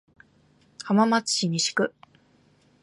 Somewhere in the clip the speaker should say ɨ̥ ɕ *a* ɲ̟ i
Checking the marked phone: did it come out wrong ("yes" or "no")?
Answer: yes